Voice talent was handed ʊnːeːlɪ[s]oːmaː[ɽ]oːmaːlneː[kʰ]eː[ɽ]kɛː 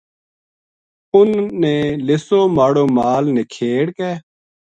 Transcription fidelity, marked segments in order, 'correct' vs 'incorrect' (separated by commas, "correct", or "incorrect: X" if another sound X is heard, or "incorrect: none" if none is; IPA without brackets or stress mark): correct, correct, correct, correct